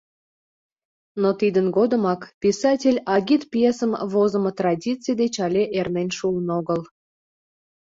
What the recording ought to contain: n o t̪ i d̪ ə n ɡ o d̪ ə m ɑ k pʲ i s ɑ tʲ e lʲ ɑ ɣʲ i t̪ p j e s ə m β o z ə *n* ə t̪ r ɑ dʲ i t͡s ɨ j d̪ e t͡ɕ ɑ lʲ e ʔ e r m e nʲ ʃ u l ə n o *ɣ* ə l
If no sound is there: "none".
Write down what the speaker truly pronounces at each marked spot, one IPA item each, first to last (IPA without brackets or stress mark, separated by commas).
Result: m, ɣ